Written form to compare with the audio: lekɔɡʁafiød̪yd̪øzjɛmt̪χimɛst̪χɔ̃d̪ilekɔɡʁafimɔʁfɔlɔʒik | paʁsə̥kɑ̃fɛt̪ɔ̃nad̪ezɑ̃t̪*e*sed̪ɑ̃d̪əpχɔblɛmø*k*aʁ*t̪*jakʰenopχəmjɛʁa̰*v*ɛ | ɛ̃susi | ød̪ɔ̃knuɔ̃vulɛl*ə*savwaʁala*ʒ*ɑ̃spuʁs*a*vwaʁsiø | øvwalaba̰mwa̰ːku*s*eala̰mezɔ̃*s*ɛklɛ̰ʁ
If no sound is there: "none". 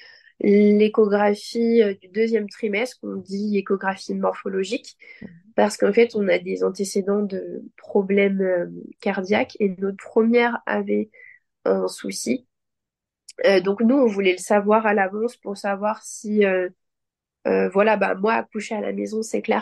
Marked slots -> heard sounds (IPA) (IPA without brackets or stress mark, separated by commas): e, k, d̪, v, ə, v, a, ʃ, s